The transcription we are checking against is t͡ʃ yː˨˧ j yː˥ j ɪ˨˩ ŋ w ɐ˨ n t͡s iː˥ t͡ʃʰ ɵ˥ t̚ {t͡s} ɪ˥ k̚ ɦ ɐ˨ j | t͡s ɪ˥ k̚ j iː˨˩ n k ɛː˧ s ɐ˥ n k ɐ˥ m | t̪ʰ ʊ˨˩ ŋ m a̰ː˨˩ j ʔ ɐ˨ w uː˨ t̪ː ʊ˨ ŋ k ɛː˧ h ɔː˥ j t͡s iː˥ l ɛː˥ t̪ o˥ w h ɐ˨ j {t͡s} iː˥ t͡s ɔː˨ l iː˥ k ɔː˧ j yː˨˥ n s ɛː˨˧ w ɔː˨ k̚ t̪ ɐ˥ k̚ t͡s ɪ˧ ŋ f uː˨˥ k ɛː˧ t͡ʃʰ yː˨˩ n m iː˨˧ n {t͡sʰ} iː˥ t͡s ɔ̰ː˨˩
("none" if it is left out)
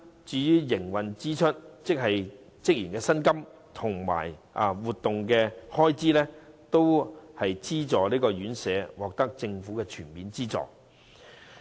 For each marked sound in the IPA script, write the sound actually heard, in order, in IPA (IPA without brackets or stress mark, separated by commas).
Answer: t͡s, t͡s, t͡s